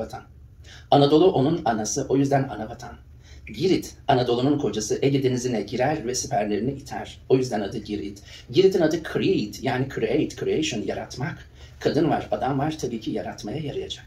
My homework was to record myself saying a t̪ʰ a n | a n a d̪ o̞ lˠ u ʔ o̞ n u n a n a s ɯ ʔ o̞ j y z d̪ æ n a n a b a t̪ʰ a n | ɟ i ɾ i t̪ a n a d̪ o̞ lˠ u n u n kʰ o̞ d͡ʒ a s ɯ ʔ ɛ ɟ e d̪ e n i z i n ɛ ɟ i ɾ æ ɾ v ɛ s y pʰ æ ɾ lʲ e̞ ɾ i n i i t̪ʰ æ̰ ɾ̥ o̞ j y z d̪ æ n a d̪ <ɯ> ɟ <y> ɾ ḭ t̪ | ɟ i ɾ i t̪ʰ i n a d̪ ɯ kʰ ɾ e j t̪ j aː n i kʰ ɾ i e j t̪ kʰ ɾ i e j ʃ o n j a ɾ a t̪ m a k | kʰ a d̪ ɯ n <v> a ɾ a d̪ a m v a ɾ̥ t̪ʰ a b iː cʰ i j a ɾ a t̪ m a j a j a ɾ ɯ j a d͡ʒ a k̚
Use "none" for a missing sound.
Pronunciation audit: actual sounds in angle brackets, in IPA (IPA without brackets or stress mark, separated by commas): ɯ, i, v